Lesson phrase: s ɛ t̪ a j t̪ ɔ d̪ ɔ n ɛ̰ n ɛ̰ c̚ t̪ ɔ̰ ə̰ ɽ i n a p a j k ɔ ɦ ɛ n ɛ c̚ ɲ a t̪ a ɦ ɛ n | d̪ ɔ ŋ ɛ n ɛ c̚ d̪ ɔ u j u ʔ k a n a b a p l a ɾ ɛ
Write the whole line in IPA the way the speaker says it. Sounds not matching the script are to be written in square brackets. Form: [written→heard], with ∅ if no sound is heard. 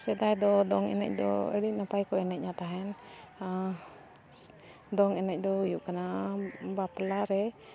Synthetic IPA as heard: s ɛ [t̪→d̪] a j [t̪→d̪] ɔ d̪ ɔ [n→ŋ] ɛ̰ n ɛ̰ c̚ [t̪→d̪] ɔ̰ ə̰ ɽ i n a p a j k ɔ [ɦ→∅] ɛ n ɛ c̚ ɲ a t̪ a ɦ ɛ n | d̪ ɔ ŋ ɛ n ɛ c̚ d̪ ɔ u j u ʔ k a n a b a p l a ɾ ɛ